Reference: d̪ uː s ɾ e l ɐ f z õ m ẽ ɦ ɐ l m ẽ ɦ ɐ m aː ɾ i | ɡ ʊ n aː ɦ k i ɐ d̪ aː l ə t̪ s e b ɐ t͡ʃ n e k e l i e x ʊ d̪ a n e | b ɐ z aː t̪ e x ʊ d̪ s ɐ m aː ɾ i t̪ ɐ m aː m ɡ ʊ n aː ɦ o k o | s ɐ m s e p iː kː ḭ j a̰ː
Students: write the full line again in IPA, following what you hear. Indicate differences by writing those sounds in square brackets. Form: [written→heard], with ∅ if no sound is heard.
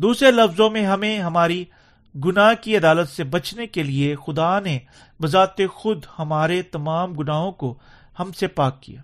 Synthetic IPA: d̪ uː s ɾ e l ɐ f z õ m ẽ ɦ ɐ [l→∅] m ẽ ɦ ɐ m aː ɾ i | ɡ ʊ n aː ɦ k i ɐ d̪ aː l ə t̪ s e b ɐ t͡ʃ n e k e l i e x ʊ d̪ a n e | b ɐ z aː t̪ e x ʊ d̪ [s→h] ɐ m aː ɾ [i→e] t̪ ɐ m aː m ɡ ʊ n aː ɦ [o→õ] k o | [s→h] ɐ m s e p [iː→aː] kː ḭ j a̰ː